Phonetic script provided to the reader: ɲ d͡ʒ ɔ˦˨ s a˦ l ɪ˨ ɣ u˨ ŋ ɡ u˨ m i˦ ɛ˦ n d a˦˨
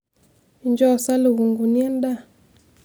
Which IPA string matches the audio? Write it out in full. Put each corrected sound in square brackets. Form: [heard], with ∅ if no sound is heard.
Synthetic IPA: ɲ d͡ʒ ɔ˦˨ s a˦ l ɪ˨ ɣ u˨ ŋ ɡ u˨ [n] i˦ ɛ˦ n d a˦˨